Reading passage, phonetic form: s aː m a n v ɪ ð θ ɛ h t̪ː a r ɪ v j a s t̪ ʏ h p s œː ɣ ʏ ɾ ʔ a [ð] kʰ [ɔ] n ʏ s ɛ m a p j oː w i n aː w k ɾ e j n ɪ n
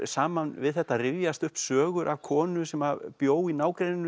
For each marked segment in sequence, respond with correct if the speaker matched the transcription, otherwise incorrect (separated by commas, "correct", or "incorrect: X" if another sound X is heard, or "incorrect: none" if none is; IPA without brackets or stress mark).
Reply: incorrect: v, incorrect: ɔː